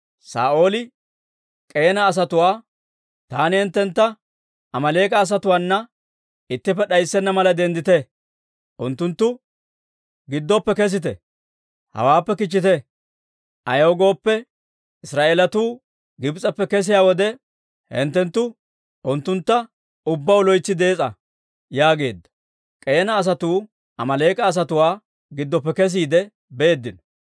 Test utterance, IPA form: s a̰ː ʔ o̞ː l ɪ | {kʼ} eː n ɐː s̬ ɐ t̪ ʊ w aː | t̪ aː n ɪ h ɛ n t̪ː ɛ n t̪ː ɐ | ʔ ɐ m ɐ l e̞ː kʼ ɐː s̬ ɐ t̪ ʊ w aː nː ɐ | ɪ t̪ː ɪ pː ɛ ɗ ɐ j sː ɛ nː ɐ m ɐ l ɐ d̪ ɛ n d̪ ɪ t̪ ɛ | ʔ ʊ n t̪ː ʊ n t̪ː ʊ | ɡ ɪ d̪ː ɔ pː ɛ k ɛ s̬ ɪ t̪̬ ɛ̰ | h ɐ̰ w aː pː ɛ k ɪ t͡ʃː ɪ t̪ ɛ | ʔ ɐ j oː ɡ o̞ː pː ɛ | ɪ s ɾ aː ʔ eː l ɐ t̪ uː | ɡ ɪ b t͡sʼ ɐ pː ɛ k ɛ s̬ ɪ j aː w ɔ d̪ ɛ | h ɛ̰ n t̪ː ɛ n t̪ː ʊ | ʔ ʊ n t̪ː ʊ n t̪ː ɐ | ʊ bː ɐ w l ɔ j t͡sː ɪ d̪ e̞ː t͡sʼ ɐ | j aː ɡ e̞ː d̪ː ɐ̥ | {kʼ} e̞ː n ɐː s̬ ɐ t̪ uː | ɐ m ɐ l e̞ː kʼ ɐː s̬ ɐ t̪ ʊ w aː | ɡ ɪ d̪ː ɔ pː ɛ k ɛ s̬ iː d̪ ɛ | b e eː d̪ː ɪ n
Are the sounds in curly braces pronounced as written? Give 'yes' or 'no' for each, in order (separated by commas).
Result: yes, yes